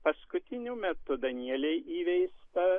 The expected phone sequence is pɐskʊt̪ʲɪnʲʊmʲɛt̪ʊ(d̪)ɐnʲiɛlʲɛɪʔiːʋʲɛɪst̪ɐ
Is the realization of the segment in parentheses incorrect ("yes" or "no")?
no